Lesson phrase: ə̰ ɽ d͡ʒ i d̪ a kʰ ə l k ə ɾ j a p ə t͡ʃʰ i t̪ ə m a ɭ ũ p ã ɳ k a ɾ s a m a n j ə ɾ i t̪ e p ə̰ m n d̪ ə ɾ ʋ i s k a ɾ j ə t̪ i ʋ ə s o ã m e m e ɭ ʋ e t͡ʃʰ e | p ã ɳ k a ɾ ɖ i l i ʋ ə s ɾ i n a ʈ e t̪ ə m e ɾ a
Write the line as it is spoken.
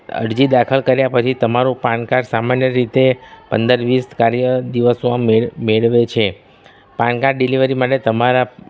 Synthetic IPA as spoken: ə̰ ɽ d͡ʒ i d̪ a kʰ ə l k ə ɾ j a p ə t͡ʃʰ i t̪ ə m a ɾ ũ p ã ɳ k a ɾ s a m a n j ə ɾ i t̪ e p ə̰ n d̪ ə ɾ ʋ i s k a ɾ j ə d̪ i ʋ ə s o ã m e m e ɭ ʋ e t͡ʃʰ e | p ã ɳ k a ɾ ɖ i l i ʋ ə ɾ i m a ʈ e t̪ ə m a ɾ a